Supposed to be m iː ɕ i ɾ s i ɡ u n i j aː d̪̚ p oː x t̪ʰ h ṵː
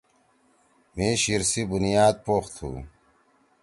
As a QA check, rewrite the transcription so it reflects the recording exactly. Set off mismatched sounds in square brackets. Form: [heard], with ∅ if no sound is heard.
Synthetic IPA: m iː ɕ i ɾ s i [b] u n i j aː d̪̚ p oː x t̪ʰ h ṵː